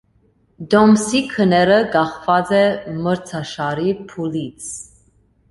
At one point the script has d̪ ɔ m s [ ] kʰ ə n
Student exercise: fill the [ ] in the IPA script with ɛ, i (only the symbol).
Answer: i